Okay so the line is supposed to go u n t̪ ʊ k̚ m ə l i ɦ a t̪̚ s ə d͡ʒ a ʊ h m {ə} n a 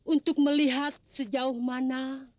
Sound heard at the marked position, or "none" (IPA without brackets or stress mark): a